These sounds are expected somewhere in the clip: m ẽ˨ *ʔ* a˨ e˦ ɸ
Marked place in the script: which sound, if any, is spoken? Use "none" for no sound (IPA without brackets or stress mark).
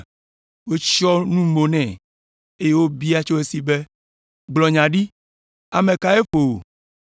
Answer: k